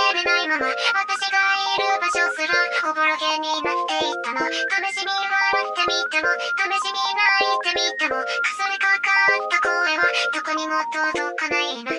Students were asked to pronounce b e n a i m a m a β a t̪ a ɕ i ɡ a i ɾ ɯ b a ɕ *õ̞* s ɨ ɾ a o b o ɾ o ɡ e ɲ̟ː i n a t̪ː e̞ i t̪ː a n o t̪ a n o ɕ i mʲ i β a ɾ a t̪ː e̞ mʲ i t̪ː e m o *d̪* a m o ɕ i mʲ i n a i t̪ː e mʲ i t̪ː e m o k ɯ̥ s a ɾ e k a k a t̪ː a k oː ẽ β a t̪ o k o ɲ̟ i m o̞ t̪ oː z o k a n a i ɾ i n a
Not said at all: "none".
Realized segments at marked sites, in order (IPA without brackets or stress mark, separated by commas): o̞, t̪